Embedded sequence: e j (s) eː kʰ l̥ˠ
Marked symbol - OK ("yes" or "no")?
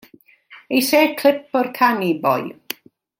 yes